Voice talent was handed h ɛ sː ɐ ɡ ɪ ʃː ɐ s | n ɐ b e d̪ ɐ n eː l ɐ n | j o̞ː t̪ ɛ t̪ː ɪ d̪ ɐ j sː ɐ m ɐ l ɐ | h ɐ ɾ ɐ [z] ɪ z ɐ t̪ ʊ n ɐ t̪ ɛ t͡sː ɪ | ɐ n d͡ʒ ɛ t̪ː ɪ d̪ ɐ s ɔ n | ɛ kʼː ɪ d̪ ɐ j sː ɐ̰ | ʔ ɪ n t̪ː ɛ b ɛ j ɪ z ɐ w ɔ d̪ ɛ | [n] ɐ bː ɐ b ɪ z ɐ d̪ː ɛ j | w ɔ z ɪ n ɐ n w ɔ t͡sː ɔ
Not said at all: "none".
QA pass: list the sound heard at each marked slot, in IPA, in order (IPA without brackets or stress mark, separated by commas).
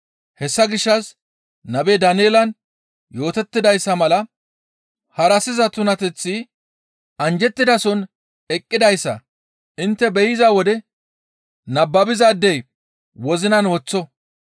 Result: s, n